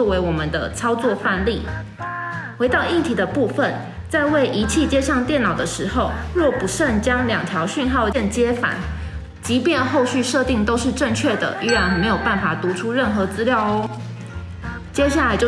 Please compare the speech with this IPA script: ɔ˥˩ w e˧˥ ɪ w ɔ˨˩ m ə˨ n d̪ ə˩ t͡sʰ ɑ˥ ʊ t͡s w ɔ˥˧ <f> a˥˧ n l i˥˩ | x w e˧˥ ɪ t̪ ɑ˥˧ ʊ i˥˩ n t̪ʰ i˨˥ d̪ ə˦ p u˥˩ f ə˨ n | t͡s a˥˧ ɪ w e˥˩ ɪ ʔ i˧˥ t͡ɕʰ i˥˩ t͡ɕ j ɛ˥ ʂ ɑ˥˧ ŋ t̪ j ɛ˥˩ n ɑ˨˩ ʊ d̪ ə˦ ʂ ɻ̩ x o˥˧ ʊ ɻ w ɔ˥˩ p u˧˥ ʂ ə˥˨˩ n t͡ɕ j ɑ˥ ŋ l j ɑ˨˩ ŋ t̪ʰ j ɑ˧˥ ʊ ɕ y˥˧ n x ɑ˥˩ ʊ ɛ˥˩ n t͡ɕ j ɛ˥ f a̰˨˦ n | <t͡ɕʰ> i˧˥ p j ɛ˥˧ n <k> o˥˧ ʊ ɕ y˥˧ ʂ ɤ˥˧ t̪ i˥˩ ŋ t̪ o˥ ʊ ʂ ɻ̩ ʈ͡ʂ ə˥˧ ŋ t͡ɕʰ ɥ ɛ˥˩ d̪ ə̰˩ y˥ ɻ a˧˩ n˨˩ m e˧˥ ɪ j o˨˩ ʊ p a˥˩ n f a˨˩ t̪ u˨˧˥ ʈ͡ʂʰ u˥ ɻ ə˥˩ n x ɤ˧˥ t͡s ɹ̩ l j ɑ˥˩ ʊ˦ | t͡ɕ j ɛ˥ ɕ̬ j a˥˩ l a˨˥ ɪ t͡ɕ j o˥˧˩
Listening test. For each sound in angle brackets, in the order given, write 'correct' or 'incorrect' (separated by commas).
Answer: correct, incorrect, incorrect